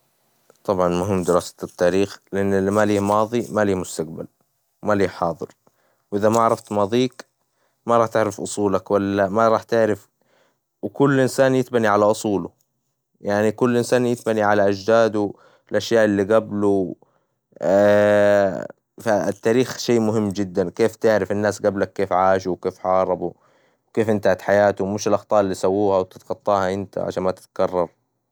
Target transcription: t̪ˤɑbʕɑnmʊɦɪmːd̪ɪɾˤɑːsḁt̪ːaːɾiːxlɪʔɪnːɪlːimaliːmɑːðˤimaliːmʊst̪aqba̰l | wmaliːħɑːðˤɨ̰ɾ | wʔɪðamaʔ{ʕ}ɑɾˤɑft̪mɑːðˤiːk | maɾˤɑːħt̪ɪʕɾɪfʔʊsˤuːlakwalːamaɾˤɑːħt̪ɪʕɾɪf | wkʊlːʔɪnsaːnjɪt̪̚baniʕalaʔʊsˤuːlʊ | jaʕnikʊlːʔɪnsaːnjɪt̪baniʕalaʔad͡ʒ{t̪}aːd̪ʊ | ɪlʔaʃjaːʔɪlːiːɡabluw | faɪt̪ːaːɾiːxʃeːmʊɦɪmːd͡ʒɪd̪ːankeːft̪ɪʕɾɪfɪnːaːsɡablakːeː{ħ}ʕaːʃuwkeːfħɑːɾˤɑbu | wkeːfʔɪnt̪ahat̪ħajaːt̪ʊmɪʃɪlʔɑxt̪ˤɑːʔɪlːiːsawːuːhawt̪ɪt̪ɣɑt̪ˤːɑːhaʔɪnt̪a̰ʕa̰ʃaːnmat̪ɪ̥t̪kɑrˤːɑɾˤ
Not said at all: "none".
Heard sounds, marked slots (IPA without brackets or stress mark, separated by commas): ʕ, d̪, f